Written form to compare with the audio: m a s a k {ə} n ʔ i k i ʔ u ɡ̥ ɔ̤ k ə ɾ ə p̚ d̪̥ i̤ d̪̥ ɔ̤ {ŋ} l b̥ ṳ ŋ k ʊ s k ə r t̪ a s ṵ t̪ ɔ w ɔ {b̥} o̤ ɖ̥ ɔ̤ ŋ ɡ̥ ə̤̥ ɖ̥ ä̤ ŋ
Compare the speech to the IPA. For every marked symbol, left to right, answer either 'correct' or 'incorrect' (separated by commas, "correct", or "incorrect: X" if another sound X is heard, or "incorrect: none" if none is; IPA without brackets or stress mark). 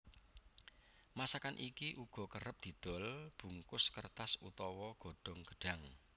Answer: incorrect: a, incorrect: none, incorrect: ɡ̥